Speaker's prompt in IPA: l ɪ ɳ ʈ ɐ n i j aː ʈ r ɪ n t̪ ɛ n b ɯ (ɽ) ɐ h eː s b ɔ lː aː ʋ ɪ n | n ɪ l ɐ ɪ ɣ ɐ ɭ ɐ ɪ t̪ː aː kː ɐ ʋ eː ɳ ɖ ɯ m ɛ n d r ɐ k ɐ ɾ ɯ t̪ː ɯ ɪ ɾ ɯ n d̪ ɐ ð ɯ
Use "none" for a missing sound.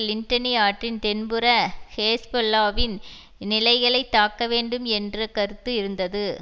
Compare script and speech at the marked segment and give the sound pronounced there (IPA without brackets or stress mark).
ɾ